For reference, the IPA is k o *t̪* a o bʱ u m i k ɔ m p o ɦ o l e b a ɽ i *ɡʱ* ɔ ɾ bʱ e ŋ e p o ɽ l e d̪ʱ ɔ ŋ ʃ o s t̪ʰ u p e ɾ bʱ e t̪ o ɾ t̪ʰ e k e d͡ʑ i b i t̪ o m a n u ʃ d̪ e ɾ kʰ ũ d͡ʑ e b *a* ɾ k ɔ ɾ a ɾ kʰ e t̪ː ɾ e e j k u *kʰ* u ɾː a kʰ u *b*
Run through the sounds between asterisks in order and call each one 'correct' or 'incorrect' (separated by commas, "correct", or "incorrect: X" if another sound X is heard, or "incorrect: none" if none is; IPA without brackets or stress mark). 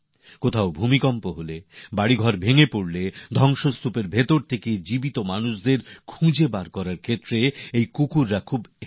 incorrect: t̪ʰ, correct, correct, incorrect: k, correct